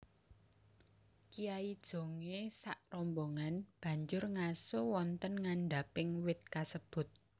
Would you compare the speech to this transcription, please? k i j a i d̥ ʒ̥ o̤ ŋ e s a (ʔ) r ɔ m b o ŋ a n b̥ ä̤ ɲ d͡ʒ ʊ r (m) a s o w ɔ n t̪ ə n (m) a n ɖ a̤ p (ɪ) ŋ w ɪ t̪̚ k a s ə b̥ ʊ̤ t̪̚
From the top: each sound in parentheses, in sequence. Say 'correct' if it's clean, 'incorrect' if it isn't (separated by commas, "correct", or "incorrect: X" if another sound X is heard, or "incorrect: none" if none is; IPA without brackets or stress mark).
correct, incorrect: ŋ, incorrect: ŋ, correct